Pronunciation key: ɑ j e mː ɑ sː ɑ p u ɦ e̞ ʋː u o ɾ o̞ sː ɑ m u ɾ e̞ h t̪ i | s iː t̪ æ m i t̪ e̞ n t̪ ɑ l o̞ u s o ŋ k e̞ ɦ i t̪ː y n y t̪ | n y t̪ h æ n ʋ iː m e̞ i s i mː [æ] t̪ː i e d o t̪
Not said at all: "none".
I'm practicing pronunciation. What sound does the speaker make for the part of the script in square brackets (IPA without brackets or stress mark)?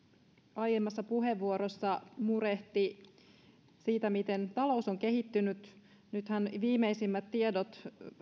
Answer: æ